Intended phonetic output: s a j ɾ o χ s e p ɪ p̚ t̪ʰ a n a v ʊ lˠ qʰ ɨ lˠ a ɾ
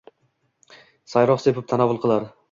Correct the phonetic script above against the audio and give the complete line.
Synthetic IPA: s a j ɾ ɒ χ s e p ɪ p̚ t̪ʰ a n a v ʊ lˠ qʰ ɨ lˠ a ɾ